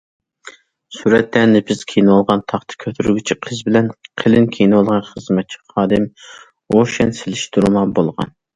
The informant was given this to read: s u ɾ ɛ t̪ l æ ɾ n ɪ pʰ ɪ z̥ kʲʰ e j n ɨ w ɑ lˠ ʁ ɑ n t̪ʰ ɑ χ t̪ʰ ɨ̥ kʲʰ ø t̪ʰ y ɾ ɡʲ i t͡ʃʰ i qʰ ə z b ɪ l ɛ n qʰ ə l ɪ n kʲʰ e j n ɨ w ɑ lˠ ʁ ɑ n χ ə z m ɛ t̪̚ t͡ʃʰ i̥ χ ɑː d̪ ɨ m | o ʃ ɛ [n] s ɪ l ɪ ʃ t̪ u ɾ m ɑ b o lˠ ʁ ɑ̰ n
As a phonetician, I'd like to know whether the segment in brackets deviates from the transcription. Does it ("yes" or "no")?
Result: no